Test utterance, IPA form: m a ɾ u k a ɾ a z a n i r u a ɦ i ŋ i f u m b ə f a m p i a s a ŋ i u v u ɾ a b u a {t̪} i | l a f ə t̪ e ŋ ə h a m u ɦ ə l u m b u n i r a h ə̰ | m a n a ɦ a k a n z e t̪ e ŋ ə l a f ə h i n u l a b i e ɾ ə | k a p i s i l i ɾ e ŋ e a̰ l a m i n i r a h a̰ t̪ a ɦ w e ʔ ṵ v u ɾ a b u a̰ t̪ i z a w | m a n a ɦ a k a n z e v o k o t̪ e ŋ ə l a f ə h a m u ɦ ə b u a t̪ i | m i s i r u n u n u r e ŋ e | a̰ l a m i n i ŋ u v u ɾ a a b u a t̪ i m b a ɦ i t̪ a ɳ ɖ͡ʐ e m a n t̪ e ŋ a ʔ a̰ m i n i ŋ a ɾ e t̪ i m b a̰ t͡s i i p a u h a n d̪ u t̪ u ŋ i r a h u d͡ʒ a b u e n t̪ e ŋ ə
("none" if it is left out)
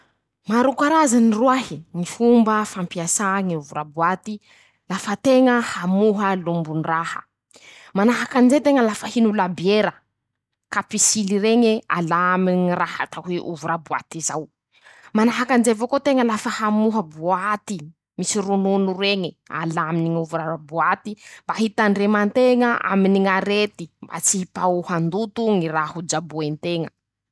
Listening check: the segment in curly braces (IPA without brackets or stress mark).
t̪